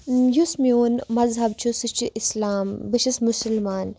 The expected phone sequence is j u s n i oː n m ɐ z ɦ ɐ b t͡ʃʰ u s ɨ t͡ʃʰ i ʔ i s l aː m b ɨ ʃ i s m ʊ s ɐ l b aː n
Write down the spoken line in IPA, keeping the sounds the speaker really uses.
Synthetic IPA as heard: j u s m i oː n m ɐ z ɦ ɐ b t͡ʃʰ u s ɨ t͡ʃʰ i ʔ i s l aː m b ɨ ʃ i s m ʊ s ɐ l m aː n